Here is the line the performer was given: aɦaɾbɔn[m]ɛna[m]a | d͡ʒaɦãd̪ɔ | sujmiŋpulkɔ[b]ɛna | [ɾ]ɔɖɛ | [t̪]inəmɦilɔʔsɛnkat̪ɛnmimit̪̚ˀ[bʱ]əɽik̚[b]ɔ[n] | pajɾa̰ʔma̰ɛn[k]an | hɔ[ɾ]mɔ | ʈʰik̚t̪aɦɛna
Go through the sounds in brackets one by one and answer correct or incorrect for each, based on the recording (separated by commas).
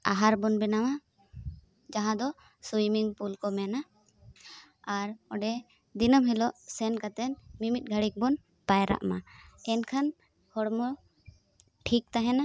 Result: incorrect, correct, incorrect, correct, incorrect, incorrect, correct, correct, incorrect, incorrect